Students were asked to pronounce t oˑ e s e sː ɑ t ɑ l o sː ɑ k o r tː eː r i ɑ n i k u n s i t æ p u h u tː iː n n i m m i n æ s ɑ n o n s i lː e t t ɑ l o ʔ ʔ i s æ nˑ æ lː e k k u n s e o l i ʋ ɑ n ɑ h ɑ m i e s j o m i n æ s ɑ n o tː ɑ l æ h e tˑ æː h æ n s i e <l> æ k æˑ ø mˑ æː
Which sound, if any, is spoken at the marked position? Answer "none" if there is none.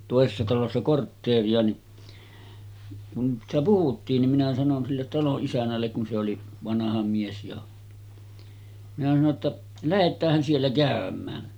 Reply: lː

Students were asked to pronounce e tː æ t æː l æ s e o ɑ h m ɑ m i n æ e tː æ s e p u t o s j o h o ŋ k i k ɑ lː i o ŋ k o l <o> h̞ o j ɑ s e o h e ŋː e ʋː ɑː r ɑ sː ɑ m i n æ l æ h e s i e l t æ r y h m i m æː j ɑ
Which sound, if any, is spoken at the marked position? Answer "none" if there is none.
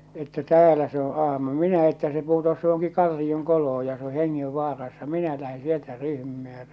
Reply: o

